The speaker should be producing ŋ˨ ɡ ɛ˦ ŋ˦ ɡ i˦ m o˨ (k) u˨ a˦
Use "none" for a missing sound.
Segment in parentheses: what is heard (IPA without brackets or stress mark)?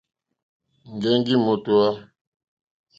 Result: t